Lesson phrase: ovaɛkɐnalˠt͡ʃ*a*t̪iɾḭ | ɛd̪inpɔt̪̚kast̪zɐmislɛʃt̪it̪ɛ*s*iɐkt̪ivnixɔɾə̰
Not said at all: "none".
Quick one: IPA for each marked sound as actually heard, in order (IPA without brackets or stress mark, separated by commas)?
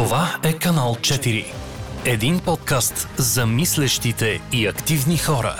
ɛ, none